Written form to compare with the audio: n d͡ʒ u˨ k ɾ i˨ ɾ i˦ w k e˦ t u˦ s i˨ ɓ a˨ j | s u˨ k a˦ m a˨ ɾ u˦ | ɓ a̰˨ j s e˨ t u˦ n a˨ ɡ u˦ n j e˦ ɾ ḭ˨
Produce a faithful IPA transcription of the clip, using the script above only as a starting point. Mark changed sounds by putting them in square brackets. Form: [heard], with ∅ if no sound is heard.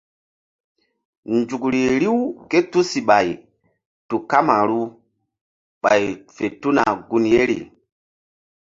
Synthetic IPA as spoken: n d͡ʒ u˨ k ɾ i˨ ɾ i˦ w k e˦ t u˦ s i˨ ɓ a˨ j | [t] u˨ k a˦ m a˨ ɾ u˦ | ɓ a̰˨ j [f] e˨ t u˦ n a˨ ɡ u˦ n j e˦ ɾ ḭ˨